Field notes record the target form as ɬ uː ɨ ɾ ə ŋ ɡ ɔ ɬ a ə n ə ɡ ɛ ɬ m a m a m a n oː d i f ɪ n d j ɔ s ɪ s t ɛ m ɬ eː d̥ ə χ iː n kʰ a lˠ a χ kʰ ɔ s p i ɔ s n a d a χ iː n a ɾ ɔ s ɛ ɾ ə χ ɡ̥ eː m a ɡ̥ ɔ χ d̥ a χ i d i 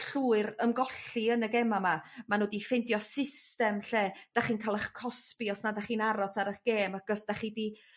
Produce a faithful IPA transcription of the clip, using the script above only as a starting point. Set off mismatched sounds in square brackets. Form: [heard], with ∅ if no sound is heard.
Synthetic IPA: ɬ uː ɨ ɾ ə [m] ɡ ɔ ɬ [i] ə n ə ɡ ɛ [∅] m a m a m a n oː d i f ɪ n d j ɔ s ɪ s t ɛ m ɬ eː d̥ [a] χ iː n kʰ a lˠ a χ kʰ ɔ s p i ɔ s n a d a χ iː n a ɾ ɔ s [a] ɾ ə χ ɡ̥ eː m a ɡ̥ ɔ [s] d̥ a χ i d i